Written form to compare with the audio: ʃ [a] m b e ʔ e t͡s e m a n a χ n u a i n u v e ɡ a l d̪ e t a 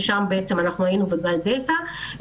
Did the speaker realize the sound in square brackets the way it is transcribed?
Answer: yes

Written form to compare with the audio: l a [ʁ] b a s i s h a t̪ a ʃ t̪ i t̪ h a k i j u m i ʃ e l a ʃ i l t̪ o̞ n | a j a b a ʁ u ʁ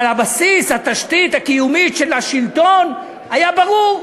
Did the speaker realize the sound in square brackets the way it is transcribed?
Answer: no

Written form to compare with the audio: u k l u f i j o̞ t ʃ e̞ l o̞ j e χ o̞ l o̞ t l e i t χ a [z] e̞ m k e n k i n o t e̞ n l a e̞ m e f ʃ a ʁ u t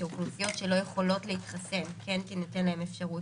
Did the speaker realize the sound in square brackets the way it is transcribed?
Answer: no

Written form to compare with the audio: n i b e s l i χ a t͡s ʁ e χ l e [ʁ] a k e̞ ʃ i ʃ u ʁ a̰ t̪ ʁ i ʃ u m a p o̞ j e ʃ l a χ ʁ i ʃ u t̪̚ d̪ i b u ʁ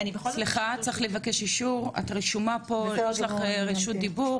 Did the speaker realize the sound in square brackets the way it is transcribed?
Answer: no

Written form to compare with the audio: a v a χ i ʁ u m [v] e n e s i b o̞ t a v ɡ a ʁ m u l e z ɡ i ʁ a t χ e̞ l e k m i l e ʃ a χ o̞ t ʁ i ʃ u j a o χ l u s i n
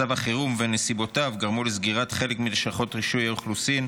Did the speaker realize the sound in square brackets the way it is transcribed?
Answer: yes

